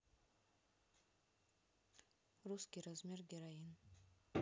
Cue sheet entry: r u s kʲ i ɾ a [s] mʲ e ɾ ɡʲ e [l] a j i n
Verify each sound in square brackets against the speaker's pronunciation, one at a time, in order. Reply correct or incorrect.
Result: incorrect: z, incorrect: ɾ

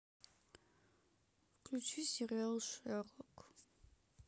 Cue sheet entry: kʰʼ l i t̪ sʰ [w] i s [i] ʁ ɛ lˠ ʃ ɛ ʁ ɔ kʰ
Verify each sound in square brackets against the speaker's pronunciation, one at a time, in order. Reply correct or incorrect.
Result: correct, correct

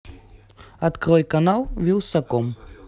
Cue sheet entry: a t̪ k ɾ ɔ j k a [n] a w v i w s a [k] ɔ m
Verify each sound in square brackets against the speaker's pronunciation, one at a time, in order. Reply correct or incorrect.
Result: correct, correct

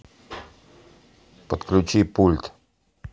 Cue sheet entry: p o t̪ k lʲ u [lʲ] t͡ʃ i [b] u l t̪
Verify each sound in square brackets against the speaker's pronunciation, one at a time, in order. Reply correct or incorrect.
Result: incorrect: none, incorrect: p

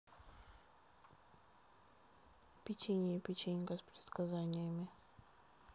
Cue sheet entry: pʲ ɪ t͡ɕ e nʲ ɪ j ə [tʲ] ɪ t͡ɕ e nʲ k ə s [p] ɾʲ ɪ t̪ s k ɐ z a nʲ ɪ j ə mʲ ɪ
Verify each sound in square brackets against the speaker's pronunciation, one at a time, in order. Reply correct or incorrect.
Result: incorrect: pʲ, correct

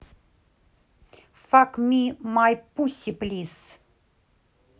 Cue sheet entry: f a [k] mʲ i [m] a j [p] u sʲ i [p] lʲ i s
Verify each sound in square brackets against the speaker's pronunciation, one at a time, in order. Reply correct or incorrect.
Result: correct, correct, correct, correct

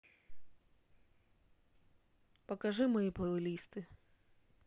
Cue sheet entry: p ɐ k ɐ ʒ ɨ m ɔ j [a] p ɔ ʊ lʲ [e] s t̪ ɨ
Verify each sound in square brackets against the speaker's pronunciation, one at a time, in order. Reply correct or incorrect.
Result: incorrect: i, incorrect: i

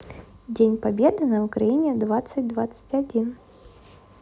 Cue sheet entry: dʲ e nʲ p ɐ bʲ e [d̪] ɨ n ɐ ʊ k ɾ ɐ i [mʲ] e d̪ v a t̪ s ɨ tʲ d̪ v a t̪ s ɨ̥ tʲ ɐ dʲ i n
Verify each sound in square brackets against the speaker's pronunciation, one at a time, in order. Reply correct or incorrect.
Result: correct, incorrect: nʲ

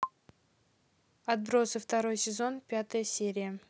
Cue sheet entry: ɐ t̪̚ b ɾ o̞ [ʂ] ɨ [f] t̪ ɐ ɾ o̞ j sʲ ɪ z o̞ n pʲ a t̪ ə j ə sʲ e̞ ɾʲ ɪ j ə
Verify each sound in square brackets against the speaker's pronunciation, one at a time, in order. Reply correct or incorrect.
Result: incorrect: s, correct

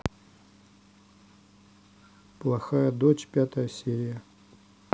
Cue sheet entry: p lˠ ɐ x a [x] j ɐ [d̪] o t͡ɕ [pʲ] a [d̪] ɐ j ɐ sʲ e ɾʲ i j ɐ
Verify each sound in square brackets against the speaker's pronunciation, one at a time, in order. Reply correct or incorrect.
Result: incorrect: none, correct, correct, incorrect: t̪

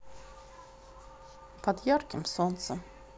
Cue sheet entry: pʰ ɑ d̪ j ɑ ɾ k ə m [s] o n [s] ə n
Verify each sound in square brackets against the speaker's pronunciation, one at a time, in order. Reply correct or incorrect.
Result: correct, correct

